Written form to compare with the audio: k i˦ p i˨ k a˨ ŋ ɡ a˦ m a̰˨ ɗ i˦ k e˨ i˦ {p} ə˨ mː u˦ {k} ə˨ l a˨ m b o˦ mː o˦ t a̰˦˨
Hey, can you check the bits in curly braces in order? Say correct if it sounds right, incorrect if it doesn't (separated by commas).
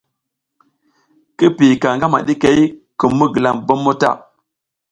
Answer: incorrect, incorrect